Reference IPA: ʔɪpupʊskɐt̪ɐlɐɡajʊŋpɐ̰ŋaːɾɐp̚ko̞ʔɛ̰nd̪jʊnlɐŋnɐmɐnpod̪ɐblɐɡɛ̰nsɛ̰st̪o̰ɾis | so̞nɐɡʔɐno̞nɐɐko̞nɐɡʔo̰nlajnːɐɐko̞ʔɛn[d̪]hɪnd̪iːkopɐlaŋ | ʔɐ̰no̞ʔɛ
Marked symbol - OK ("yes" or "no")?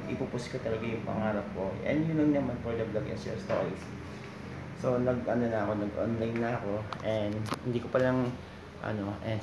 yes